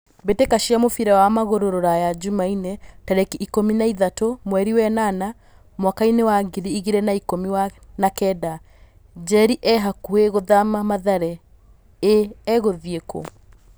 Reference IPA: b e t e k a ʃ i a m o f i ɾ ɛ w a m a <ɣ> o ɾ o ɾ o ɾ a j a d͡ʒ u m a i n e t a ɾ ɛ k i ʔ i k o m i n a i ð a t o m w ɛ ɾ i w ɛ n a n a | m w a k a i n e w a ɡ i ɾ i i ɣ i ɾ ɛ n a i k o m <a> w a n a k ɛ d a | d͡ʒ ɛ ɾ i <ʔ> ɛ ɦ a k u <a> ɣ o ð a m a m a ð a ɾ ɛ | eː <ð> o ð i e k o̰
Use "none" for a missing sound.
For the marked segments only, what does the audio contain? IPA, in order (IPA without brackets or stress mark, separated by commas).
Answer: ɣ, i, ʔ, e, ɣ